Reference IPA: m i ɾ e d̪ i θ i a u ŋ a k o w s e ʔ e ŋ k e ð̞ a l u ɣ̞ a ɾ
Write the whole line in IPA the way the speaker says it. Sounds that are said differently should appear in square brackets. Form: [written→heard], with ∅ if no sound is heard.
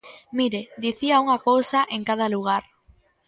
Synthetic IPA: m i ɾ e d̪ i θ i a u ŋ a k o w s [e→a] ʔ e ŋ k [e→a] ð̞ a l u ɣ̞ a ɾ

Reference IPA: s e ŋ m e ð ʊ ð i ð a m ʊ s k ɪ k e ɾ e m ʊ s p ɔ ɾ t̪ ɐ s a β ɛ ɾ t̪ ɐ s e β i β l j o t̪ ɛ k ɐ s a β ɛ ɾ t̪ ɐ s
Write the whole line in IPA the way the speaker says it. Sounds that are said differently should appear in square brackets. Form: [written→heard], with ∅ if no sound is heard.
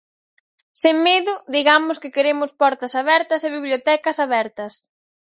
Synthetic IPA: s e ŋ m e ð ʊ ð i [ð→ɣ] a m ʊ s k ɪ k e ɾ e m ʊ s p ɔ ɾ t̪ ɐ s a β ɛ ɾ t̪ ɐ s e β i β l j o t̪ ɛ k ɐ s a β ɛ ɾ t̪ ɐ s

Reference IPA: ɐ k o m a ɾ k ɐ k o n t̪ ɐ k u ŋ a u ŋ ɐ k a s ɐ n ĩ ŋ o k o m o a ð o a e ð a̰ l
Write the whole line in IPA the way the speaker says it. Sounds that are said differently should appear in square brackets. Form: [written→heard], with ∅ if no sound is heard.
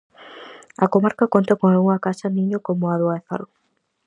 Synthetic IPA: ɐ k o m a ɾ k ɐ k o n t̪ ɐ k [u→o] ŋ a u ŋ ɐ k a s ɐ n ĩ [ŋ→ɲ] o k o m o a ð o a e [ð→θ] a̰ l

